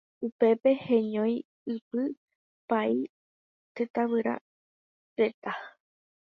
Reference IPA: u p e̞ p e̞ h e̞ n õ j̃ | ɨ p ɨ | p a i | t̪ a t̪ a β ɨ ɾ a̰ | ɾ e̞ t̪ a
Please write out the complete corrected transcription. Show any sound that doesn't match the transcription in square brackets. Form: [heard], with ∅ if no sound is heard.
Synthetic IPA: u p e̞ p e̞ h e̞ [ɲ] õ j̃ | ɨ p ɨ | p a i | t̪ [e] t̪ a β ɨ ɾ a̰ | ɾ e̞ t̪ a

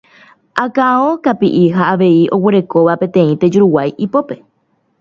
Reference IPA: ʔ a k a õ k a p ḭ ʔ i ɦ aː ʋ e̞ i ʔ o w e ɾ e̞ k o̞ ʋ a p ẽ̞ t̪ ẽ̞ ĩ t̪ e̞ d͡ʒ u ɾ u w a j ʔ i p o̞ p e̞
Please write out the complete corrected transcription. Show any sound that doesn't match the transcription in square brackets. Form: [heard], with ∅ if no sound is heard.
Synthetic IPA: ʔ a k a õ k a p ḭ ʔ i ɦ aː ʋ e̞ i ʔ o w e ɾ e̞ k o̞ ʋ a p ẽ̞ t̪ ẽ̞ ĩ t̪ e̞ d͡ʒ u ɾ u w a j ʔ i p o̞ p e̞

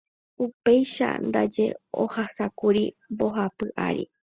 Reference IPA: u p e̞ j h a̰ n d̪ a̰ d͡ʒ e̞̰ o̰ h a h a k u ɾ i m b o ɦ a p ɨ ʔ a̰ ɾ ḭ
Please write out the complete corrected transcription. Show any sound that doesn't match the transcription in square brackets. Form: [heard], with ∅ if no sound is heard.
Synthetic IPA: u p e̞ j [ʃ] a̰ n d̪ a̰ d͡ʒ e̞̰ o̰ h a [s] a k u ɾ i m b o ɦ a p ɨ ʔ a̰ ɾ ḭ

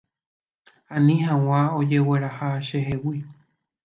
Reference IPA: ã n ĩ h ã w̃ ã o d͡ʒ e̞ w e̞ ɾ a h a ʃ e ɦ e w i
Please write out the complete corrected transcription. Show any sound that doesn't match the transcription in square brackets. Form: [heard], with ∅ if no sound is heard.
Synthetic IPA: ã n ĩ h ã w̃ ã o d͡ʒ e̞ w e̞ ɾ a h a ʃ e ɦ e w i

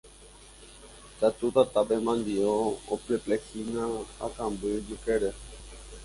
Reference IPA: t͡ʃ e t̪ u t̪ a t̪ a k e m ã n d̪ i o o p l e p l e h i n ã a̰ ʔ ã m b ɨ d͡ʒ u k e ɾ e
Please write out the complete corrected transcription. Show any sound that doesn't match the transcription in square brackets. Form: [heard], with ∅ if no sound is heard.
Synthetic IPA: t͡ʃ [a] t̪ u t̪ a t̪ a [p] e m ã n d̪ i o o p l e p l e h i n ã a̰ [k] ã m b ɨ d͡ʒ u k e ɾ e

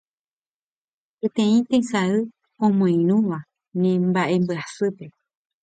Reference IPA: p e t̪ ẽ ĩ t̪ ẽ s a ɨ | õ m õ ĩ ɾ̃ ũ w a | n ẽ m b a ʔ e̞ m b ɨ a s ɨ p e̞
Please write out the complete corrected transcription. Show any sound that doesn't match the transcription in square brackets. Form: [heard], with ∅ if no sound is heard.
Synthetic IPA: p e t̪ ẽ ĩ t̪ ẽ s a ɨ | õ m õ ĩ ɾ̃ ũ [ʋ] a | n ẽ m b a ʔ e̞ m b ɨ a s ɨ p e̞

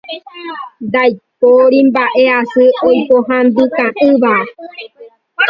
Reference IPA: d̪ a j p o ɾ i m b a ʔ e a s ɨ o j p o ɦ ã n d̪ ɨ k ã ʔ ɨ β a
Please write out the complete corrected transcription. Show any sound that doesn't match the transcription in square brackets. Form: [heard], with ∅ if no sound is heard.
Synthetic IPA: d̪ a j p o ɾ i m b a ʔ e a s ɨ o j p o ɦ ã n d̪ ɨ k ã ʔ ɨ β a

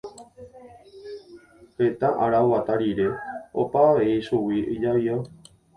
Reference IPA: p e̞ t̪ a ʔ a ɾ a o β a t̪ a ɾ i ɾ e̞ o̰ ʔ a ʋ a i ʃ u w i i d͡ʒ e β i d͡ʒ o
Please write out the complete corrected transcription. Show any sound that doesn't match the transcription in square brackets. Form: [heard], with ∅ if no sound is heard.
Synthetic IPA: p e̞ t̪ a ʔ a ɾ a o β a t̪ a ɾ i ɾ e̞ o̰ [p] a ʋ [e] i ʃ u w i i d͡ʒ [a] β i [∅] o

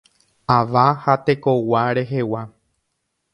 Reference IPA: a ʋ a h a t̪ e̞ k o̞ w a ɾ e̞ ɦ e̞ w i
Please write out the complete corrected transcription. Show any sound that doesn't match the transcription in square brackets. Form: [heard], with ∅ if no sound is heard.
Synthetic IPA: a ʋ a h a t̪ e̞ k o̞ w a ɾ e̞ ɦ e̞ w [a]

